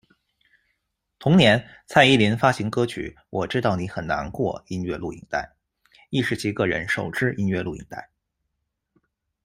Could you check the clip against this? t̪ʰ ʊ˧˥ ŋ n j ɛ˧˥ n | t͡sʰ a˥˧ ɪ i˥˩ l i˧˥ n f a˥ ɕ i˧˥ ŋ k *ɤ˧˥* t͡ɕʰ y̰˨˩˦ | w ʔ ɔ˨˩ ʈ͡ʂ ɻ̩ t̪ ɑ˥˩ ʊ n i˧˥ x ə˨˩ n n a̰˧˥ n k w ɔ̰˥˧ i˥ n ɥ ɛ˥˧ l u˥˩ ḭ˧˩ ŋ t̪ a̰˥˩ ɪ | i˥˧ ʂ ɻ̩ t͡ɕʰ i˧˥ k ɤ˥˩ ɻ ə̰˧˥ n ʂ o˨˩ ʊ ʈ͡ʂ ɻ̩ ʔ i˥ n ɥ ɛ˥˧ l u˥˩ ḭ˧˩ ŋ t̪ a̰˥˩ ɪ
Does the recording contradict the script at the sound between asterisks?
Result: yes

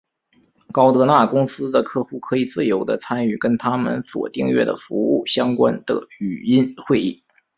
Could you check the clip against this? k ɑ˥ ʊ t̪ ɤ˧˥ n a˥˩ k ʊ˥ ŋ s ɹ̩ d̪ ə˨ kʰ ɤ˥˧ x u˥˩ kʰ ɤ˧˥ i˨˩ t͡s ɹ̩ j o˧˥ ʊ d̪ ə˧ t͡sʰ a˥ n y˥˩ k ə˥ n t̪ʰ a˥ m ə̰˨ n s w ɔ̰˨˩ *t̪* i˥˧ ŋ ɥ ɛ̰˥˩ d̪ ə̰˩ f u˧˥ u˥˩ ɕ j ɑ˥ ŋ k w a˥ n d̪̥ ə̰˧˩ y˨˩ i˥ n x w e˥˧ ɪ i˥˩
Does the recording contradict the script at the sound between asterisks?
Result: no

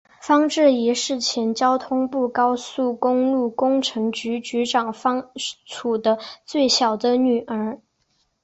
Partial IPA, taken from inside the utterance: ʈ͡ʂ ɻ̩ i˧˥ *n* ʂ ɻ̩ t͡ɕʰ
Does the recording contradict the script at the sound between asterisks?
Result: yes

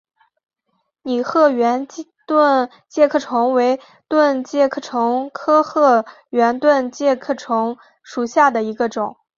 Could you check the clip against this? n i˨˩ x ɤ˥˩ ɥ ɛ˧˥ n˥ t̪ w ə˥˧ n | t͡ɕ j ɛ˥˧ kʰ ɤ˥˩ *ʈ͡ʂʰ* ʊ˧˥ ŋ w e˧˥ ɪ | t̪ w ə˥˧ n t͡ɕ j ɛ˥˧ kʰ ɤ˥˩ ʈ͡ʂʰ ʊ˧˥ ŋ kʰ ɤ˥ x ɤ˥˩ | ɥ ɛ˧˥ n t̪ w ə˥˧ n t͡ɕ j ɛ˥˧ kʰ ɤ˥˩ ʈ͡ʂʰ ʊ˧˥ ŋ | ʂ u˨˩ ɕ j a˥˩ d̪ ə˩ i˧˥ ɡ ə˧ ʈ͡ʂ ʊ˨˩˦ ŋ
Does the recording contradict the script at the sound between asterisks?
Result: no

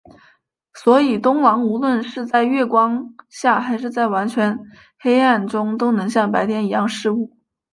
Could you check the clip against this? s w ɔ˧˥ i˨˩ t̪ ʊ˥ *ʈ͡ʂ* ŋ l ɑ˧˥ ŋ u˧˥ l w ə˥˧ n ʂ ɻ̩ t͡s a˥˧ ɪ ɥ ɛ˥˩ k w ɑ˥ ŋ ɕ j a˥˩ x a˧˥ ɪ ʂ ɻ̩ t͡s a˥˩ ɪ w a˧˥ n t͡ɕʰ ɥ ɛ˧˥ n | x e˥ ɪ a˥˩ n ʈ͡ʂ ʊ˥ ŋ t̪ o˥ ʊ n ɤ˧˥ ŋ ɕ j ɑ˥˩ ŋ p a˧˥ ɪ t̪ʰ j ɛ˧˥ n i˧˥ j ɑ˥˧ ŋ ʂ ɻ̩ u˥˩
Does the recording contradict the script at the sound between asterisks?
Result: yes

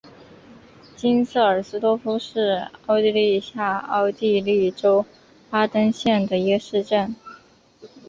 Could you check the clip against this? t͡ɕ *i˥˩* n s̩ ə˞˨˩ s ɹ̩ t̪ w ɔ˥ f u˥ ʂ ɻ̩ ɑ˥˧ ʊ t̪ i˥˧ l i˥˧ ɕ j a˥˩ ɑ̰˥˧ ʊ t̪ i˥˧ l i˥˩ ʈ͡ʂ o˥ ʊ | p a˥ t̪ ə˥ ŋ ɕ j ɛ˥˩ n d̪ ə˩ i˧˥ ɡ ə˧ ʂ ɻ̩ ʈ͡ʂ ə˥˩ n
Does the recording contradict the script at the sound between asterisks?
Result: yes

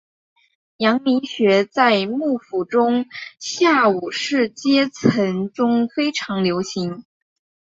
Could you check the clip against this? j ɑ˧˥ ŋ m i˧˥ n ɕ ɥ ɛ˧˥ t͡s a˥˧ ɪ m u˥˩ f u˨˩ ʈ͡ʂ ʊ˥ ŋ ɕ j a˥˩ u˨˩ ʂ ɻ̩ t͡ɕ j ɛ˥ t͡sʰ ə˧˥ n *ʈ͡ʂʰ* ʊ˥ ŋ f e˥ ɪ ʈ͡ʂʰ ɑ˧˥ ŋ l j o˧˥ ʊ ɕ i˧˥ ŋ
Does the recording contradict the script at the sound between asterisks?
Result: yes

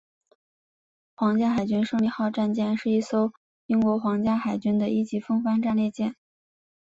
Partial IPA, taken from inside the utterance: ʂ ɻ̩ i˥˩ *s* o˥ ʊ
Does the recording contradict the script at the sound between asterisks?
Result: no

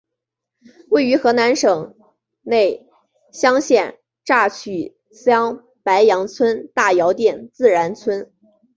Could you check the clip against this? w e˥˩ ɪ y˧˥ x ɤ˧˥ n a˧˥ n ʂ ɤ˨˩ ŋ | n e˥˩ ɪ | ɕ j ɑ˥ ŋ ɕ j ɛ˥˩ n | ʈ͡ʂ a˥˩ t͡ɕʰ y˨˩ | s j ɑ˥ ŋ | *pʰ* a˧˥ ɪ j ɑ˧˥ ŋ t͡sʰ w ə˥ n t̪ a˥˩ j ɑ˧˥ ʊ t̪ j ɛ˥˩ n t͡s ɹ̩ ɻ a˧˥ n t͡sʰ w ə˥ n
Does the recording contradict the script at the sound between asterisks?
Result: yes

